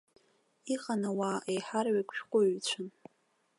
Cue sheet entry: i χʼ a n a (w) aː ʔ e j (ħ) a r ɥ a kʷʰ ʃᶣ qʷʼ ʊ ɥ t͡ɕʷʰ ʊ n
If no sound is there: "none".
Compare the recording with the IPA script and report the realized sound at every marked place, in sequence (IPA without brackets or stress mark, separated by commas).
w, ħ